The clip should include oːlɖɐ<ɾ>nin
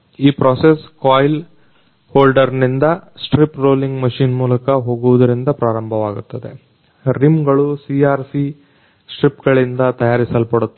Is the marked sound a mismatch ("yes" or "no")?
no